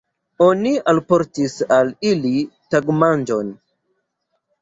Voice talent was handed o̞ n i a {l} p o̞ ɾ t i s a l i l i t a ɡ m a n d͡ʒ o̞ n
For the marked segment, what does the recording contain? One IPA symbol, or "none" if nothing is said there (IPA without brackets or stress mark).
l